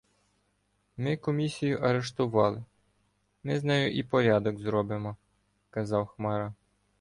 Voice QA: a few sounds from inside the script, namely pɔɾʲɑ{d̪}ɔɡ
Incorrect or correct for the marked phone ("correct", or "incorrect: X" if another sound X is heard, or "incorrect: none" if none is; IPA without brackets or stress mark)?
correct